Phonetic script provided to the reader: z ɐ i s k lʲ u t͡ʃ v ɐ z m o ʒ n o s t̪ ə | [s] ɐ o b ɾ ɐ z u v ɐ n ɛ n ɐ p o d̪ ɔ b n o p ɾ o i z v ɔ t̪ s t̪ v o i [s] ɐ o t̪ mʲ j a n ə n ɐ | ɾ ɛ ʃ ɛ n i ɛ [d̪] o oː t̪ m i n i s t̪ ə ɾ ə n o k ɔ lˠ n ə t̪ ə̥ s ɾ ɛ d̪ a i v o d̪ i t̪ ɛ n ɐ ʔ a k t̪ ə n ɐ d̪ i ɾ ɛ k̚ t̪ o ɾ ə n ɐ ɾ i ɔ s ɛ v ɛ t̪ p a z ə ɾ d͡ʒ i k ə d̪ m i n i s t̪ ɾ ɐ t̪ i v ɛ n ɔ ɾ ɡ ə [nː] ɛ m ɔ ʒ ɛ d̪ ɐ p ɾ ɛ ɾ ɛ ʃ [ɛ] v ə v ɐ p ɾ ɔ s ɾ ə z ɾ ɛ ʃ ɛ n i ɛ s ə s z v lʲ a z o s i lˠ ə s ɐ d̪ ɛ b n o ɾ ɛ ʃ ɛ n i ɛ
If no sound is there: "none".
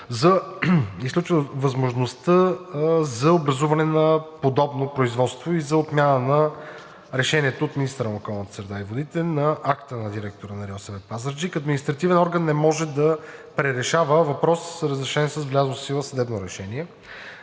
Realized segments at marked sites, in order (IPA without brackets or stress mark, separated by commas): z, z, t̪, nː, a